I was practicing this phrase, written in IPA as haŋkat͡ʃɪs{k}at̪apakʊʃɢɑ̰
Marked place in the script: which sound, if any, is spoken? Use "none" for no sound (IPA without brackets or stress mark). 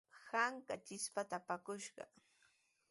p